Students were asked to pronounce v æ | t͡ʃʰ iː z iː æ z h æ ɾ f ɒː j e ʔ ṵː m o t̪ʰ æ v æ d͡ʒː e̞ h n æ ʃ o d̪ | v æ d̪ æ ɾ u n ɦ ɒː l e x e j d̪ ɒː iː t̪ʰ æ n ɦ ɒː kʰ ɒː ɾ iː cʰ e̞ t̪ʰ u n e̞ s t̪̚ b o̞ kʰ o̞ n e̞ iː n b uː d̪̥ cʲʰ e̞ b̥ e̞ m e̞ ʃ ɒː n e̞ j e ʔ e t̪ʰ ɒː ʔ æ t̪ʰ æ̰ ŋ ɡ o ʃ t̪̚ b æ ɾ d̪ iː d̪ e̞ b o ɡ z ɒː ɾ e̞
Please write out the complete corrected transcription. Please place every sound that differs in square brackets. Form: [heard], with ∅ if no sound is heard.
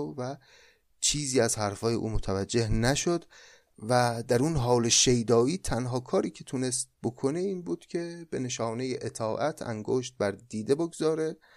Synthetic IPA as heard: v æ | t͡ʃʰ iː z iː æ z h æ ɾ f ɒː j e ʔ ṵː m o t̪ʰ æ v æ d͡ʒː e̞ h n æ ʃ o d̪ | v æ d̪ æ ɾ u n ɦ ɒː l e [ʃ] e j d̪ ɒː iː t̪ʰ æ n ɦ ɒː kʰ ɒː ɾ iː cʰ e̞ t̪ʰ u n e̞ s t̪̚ b o̞ kʰ o̞ n e̞ iː n b uː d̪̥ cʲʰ e̞ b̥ e̞ [n] e̞ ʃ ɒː n e̞ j e ʔ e t̪ʰ ɒː ʔ æ t̪ʰ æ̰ ŋ ɡ o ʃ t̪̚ b æ ɾ d̪ iː d̪ e̞ b o ɡ z ɒː ɾ e̞